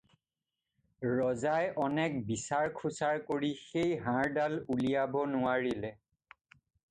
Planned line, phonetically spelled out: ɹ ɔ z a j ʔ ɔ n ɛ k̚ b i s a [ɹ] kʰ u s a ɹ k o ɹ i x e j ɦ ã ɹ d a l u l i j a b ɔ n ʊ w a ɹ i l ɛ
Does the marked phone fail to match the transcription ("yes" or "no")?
no